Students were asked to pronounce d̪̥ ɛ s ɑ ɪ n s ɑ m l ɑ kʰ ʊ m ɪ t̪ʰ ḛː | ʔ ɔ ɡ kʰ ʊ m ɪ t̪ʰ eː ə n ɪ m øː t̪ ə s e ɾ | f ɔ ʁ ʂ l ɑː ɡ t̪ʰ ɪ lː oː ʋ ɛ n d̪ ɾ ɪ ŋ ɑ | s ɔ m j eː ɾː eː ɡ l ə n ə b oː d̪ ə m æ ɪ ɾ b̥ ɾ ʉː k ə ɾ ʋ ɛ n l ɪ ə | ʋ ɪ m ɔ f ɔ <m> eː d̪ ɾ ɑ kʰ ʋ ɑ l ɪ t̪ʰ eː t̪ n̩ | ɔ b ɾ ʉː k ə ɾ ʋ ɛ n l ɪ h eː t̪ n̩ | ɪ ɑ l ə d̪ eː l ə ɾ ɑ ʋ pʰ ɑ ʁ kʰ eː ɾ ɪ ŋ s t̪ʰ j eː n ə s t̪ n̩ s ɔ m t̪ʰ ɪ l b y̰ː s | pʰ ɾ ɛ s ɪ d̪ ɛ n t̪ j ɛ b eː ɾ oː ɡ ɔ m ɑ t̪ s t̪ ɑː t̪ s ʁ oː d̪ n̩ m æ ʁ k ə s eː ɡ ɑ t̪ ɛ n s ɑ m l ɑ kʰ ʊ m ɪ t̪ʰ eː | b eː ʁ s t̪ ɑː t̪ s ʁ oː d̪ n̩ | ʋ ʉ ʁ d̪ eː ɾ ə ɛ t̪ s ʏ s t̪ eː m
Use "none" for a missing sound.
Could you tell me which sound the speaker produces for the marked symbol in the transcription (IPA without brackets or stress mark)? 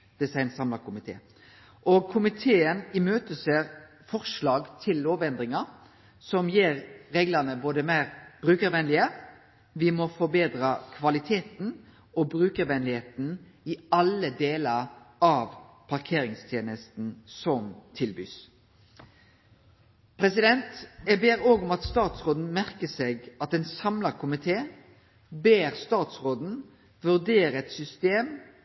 b